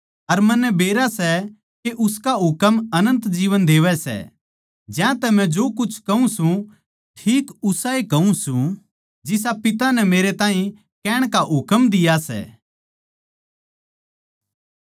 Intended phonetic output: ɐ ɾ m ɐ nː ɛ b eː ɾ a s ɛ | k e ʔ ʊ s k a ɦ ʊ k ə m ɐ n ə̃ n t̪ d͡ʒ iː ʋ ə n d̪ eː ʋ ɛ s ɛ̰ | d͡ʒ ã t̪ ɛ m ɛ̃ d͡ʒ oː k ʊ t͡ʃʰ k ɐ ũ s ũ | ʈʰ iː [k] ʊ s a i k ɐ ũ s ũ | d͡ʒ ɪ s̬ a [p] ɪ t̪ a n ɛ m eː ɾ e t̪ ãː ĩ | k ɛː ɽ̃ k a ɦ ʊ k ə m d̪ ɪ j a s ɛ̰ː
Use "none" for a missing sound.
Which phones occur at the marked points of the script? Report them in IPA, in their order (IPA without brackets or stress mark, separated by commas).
k, p